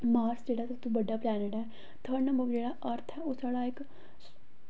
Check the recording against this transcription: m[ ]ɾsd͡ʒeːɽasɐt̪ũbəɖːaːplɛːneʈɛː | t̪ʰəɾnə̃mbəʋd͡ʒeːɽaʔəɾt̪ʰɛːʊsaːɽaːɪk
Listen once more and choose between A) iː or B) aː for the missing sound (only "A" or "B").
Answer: B